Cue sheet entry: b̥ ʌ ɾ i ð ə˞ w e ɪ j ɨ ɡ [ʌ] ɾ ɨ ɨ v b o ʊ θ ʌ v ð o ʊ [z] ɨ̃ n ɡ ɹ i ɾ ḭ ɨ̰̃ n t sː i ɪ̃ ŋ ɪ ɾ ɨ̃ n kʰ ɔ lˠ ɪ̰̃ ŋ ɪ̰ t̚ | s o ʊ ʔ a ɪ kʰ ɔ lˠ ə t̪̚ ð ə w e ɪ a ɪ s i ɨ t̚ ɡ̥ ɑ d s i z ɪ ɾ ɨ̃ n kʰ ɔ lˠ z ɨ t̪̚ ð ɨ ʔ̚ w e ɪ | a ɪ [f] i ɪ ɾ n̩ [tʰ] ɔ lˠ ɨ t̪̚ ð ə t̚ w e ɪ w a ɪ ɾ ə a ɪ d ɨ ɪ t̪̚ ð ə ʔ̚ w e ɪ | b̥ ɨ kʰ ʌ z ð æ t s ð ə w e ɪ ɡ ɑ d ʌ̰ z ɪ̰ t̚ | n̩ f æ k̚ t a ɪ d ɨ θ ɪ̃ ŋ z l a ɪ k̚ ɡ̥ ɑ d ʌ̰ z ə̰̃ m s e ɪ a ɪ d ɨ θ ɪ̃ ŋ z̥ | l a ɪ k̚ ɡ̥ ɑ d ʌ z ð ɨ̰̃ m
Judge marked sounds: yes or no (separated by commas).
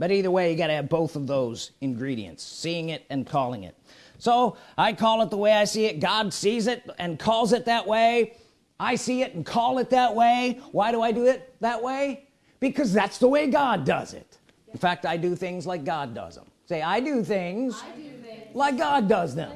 no, yes, no, no